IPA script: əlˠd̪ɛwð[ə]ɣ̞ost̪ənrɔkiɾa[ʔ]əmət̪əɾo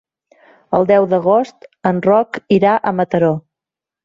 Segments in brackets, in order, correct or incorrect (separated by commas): correct, correct